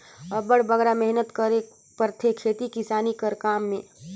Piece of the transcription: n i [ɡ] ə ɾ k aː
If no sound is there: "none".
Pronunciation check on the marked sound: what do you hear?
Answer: k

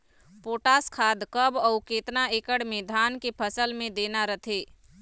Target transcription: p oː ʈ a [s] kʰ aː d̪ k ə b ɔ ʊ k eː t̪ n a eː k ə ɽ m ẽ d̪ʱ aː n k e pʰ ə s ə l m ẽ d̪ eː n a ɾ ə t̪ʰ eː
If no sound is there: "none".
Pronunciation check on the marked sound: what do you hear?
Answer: s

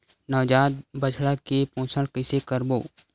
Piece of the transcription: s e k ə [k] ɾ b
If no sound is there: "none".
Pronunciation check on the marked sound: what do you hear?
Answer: none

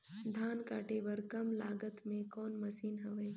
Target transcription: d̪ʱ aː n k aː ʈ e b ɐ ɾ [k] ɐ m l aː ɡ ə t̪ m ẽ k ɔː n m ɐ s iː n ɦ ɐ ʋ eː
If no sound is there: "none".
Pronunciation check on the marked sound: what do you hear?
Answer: k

